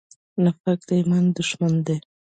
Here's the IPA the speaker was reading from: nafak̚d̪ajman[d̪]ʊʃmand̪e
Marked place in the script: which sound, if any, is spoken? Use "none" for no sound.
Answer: d̪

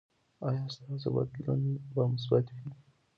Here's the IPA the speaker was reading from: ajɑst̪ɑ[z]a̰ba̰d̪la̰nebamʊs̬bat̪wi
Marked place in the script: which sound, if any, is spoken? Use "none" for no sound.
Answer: z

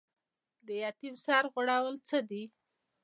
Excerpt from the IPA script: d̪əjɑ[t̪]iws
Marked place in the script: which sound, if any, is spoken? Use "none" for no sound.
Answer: t̪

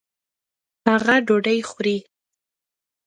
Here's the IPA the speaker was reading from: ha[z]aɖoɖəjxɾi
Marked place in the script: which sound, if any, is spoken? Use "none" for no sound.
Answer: ɣ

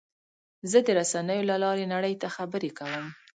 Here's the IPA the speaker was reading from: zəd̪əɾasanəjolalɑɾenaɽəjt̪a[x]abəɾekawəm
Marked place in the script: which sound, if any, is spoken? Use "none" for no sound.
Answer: x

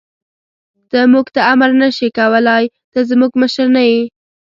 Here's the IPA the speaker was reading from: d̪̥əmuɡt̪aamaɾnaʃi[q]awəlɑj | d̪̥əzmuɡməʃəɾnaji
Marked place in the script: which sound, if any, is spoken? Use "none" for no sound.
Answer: k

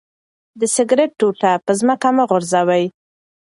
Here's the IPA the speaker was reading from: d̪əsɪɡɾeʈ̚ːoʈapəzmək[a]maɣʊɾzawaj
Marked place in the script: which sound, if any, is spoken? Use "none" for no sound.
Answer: a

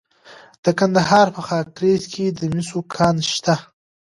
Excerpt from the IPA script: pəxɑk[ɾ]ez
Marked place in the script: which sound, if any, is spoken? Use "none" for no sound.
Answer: ɾ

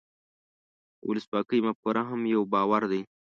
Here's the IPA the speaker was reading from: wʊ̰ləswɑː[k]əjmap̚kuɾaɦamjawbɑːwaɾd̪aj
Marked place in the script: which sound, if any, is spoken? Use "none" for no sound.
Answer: k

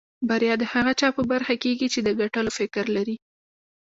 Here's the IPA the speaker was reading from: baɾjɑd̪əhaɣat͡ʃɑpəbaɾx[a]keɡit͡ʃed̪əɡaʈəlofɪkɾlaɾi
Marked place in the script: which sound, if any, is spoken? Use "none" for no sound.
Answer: a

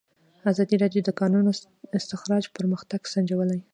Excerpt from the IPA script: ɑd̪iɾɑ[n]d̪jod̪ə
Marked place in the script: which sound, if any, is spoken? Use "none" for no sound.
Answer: none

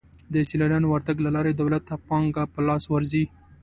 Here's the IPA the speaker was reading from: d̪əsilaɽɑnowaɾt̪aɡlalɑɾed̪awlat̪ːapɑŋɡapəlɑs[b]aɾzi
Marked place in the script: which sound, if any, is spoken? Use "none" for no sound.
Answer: w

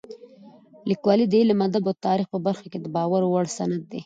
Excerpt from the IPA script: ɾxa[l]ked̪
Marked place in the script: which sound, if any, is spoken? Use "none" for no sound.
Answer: none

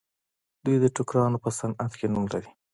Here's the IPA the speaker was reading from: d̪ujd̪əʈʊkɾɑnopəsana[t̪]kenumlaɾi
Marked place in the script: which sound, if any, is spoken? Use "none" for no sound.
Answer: t̪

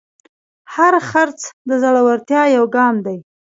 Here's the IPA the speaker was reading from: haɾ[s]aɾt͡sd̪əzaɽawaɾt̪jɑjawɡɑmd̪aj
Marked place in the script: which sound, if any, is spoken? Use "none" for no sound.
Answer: x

